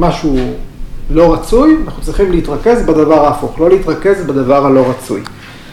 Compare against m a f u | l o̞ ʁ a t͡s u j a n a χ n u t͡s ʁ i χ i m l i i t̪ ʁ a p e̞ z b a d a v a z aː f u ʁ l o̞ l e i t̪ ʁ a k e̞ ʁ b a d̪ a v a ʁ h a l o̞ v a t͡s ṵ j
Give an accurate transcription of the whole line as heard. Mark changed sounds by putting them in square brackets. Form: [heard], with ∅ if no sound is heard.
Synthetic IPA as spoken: m a [ʃ] u | l o̞ ʁ a t͡s u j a n a χ n u t͡s ʁ i χ i m l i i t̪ ʁ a [k] e̞ z b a d a v a [ʁ] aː f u [χ] l o̞ l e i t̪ ʁ a k e̞ [z] b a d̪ a v a ʁ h a l o̞ [ʁ] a t͡s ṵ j